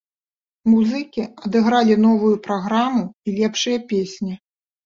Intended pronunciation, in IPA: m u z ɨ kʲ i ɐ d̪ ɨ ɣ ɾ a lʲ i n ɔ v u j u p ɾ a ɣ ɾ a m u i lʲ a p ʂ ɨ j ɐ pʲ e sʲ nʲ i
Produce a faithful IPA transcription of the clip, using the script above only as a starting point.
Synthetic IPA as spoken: m u z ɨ kʲ i ɐ d̪ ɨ ɣ ɾ a lʲ i n ɔ v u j u p ɾ a ɣ ɾ a m u i lʲ ɛ p ʂ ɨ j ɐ pʲ e sʲ nʲ i